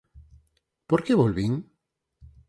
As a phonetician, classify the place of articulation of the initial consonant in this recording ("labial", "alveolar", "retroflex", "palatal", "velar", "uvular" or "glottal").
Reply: labial